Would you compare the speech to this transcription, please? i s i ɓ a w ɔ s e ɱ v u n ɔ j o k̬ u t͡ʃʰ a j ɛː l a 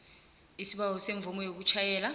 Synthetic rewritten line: i s i ɓ a w ɔ s e ɱ v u m ɔ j o k̬ u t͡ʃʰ a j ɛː l a